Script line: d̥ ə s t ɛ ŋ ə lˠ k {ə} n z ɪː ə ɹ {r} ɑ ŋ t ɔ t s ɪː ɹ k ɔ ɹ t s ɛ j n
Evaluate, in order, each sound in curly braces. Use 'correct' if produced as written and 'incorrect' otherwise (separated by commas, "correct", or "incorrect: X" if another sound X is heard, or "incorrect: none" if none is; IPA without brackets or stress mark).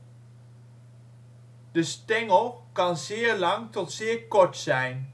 incorrect: ɑ, incorrect: l